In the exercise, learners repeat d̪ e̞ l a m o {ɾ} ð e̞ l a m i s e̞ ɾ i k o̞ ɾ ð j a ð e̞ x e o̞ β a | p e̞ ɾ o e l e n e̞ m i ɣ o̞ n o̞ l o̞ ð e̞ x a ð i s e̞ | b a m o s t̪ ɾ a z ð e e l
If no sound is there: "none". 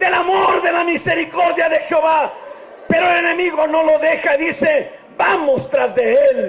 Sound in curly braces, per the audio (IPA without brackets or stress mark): ɾ